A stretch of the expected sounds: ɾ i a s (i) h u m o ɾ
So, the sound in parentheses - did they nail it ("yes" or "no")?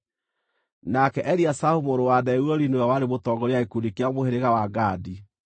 no